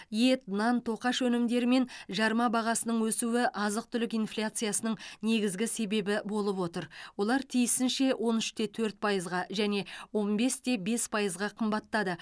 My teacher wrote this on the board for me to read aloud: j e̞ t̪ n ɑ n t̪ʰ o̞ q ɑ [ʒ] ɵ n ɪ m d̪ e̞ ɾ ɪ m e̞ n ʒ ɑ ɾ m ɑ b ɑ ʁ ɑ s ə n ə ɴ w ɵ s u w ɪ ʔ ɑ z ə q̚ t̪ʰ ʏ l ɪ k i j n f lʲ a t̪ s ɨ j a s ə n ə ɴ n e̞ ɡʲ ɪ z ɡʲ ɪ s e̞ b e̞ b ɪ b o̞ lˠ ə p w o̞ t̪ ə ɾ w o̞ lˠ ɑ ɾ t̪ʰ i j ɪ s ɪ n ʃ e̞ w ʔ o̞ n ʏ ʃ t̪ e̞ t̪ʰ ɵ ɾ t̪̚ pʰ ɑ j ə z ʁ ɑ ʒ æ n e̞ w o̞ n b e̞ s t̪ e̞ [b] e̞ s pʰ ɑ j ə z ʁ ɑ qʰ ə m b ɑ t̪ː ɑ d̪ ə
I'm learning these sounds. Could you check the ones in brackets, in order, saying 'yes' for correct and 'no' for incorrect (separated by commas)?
no, yes